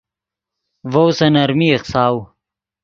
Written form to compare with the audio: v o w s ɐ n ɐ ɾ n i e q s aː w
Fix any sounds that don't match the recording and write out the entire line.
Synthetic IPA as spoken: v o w s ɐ n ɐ ɾ m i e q s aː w